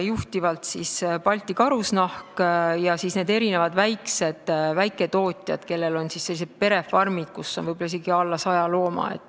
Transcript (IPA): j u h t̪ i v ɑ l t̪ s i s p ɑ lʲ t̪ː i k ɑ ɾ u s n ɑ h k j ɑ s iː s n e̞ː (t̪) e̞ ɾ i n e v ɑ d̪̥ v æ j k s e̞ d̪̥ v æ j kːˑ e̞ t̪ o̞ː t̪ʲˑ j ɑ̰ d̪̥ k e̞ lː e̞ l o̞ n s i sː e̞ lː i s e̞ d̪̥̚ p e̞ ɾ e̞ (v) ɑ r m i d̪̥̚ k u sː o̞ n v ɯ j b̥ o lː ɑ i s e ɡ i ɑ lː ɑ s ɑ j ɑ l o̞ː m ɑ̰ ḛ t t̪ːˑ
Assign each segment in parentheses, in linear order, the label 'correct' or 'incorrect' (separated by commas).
incorrect, incorrect